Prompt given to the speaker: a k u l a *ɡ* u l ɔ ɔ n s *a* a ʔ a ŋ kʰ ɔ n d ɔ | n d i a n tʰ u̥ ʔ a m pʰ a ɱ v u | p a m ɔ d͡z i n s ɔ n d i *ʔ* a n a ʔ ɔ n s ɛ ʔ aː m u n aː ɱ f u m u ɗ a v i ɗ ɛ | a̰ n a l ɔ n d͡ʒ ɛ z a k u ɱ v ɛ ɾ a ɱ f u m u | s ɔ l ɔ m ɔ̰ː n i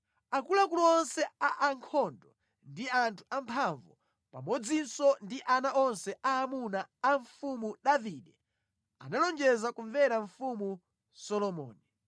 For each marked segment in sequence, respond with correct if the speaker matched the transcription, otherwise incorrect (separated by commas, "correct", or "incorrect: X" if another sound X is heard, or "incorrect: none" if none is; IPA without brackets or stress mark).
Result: incorrect: k, incorrect: ɛ, correct